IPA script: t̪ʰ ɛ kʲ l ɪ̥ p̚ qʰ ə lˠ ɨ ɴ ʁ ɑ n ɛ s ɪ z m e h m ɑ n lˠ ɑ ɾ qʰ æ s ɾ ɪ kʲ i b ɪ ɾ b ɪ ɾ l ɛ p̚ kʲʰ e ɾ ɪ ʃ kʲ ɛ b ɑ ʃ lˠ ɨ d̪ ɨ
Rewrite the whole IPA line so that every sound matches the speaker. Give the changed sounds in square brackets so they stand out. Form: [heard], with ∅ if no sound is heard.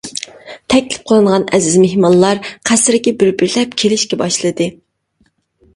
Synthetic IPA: t̪ʰ ɛ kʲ l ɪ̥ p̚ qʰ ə lˠ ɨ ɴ ʁ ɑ n ɛ [z] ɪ z m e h m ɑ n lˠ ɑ ɾ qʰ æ s ɾ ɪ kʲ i b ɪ ɾ b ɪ ɾ l ɛ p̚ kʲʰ e [l] ɪ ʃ kʲ ɛ b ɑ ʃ lˠ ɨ d̪ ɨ